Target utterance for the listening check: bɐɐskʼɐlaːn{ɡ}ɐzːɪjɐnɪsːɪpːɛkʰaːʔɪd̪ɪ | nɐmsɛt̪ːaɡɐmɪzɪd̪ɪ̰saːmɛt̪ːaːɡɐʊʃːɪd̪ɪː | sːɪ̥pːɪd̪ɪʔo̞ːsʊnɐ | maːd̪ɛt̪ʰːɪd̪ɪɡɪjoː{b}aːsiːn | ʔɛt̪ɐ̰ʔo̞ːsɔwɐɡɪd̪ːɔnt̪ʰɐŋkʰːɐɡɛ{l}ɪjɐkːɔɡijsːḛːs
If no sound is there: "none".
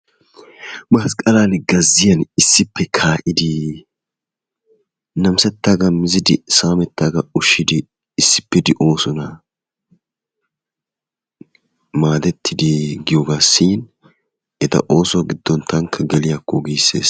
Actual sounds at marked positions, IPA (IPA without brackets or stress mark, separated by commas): ɡ, ɡ, l